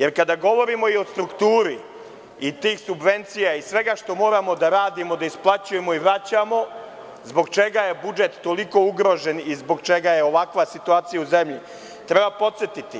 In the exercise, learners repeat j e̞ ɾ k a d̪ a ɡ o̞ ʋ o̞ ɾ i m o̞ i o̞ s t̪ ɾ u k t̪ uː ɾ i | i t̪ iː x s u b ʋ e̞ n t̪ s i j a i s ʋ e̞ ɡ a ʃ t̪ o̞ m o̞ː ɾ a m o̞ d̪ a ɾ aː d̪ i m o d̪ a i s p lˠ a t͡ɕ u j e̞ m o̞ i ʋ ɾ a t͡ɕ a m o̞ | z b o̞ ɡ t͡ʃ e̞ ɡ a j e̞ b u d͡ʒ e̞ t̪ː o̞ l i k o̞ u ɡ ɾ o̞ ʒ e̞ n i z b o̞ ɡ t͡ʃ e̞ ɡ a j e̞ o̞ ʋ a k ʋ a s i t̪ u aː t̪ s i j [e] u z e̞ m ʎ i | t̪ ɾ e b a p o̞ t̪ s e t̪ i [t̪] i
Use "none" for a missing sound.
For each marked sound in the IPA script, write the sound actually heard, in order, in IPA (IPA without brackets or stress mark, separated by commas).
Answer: a, t̪